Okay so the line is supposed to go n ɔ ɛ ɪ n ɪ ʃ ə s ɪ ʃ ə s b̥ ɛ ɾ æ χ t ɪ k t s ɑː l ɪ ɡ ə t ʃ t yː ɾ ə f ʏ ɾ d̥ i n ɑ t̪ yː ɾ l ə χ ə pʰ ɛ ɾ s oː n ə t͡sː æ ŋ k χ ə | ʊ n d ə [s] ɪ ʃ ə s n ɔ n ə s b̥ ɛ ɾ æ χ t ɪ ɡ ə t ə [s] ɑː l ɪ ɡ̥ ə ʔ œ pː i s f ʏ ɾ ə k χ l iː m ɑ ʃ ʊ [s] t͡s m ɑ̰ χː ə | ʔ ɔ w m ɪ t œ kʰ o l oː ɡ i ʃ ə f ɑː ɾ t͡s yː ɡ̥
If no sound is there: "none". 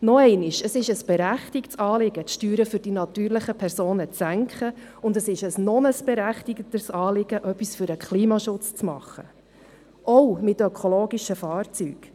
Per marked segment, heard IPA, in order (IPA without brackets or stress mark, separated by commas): s, s, t͡s